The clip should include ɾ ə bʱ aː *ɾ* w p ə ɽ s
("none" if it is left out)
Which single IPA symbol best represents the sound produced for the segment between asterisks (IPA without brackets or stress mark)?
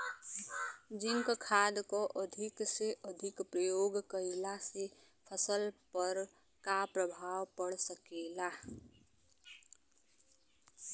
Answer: none